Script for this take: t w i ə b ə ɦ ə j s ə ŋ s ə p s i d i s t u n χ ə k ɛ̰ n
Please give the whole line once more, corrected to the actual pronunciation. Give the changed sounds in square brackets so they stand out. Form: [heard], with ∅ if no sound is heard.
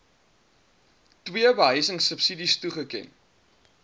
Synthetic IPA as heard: t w i ə b ə ɦ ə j s ə ŋ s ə p s i d i s t u [∅] χ ə k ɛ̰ n

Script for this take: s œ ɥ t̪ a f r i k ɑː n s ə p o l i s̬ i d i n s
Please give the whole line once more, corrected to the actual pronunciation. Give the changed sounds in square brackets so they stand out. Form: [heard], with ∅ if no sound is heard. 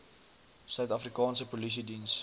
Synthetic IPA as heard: s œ ɥ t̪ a f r i k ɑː n s ə p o l i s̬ i d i n s

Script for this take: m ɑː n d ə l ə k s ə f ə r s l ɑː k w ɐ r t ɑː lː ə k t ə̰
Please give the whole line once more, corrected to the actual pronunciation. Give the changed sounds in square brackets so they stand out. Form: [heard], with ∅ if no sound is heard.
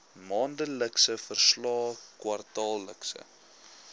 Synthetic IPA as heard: m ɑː n d ə l ə k s ə f ə r s l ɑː k w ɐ r t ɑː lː ə k [s] ə̰

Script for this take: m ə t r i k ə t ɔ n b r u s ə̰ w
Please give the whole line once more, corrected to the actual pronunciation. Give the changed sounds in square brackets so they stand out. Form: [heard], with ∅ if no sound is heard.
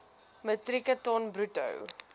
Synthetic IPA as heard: m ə t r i k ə t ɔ n b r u [t] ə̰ w

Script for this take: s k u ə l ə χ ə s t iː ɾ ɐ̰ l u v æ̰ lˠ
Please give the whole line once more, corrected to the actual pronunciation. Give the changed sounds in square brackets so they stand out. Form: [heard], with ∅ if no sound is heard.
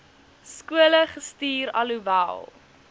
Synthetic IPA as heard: s k u ə l ə χ ə s t iː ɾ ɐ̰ l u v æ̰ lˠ

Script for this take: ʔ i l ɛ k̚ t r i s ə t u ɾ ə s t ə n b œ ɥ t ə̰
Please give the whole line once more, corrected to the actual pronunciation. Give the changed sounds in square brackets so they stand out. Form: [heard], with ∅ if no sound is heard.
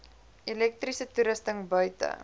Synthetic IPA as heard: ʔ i l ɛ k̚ t r i s ə t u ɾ ə s t ə [ŋ] b œ ɥ t ə̰

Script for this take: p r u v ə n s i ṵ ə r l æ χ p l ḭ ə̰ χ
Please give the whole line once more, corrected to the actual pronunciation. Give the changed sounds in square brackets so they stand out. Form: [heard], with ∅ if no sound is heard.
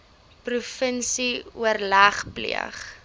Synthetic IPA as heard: p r u [f] ə n s i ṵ ə r l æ χ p l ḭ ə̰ χ

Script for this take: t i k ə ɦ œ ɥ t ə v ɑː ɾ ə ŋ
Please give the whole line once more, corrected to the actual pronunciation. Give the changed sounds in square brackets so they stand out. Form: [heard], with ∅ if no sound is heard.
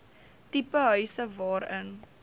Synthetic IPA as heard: t i [p] ə ɦ œ ɥ [s] ə v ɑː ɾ ə [n]

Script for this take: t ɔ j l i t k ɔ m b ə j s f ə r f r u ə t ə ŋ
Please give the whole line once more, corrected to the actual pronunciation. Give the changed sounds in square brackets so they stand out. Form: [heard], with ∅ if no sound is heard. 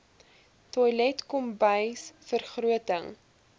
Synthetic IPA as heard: t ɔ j l [ɛ] t k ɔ m b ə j s f ə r [χ] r u ə t ə ŋ

